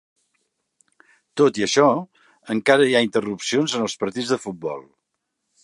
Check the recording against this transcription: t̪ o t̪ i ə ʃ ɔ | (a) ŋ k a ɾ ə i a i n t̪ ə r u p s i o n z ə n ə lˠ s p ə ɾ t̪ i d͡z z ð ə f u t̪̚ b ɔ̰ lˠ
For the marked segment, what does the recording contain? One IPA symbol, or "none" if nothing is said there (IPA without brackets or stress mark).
ə